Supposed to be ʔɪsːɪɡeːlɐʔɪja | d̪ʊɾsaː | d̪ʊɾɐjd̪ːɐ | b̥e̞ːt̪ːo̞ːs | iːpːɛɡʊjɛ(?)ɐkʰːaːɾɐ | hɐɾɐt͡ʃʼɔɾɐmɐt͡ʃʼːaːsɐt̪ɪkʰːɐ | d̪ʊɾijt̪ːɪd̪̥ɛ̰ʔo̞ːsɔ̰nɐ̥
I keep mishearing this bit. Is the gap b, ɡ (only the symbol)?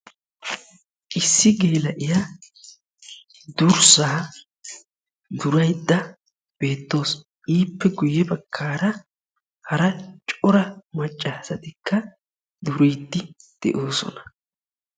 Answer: b